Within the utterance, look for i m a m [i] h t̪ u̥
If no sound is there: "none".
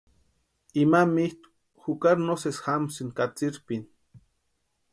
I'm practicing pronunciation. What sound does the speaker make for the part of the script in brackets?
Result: i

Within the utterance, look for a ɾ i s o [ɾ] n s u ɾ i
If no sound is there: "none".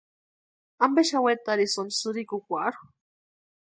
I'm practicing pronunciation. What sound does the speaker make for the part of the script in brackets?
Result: none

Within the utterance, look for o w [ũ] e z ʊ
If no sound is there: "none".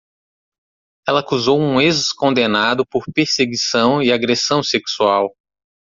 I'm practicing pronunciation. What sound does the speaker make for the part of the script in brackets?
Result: ũ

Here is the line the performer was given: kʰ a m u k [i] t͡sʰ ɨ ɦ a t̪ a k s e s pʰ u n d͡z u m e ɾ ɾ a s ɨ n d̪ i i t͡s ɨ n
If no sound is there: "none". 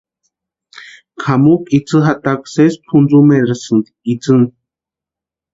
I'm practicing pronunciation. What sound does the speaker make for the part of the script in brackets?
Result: i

